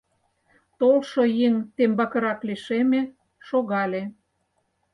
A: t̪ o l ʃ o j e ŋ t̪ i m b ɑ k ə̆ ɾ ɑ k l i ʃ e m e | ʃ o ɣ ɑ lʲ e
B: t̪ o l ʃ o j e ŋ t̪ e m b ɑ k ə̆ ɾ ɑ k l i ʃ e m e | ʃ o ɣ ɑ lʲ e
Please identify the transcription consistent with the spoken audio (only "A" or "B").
B